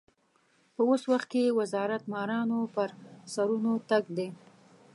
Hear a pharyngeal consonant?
no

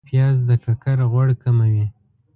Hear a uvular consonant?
no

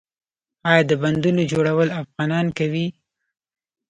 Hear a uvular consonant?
no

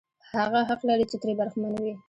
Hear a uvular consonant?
yes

